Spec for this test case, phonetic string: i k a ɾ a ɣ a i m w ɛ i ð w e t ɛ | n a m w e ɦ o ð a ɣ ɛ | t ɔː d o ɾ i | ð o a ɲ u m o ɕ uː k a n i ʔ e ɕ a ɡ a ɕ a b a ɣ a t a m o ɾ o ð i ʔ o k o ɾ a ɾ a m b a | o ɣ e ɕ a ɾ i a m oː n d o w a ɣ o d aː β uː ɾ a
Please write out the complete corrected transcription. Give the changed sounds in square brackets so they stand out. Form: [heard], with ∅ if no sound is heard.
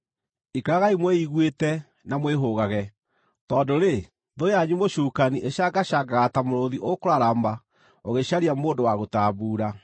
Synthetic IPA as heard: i k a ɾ a ɣ a i m w ɛ i [ɣ] w e t ɛ | n a m w e ɦ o [ɣ] a ɣ ɛ | t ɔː d o ɾ [e] | ð o a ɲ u m o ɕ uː k a n i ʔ e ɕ a ɡ a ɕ a [ɡ] a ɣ a t a m o ɾ o ð i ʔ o k o ɾ a ɾ a m b a | o ɣ e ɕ a ɾ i a m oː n d o w a ɣ o [t] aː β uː ɾ a